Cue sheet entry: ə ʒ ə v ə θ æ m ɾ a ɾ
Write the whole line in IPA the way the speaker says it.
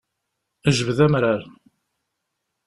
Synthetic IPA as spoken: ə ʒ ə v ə ð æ m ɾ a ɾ